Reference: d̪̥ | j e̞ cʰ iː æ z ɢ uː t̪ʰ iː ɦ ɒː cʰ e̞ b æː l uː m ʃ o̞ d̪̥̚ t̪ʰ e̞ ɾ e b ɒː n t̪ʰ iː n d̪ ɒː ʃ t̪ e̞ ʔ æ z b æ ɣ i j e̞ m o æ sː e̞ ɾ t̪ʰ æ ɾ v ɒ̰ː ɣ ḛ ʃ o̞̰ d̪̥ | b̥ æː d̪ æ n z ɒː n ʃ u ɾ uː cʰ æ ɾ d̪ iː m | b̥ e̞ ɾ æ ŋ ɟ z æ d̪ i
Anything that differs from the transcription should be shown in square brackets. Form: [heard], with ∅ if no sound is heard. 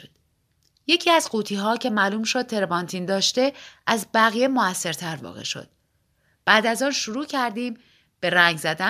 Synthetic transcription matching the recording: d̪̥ | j e̞ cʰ iː æ z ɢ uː t̪ʰ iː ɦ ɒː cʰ e̞ [m] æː l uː m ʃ o̞ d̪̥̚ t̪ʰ e̞ ɾ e b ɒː n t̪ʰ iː n d̪ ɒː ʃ t̪ e̞ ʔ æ z b æ ɣ i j e̞ m o æ sː e̞ ɾ t̪ʰ æ ɾ v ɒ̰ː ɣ ḛ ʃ o̞̰ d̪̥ | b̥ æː d̪ æ [∅] z ɒː n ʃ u ɾ uː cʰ æ ɾ d̪ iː m | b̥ e̞ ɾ æ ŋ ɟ z æ d̪ [æ]